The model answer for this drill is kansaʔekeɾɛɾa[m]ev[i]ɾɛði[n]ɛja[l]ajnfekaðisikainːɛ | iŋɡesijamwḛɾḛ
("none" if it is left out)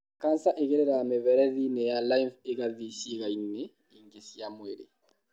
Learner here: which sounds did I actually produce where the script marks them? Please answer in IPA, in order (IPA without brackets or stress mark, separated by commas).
m, ɛ, n, l